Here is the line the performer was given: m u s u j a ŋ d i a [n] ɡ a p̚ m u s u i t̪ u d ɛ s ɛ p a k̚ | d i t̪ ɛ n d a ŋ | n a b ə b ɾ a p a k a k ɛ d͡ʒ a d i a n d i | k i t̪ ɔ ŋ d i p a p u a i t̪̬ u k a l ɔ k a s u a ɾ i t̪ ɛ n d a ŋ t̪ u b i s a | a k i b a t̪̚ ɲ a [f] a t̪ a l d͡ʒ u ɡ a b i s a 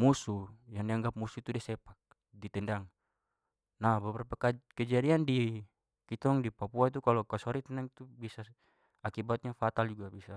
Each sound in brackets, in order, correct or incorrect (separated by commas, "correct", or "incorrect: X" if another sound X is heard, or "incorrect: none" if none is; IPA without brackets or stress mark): incorrect: ŋ, correct